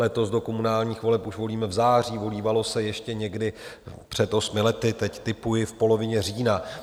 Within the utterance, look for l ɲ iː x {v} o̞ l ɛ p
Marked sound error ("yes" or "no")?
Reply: no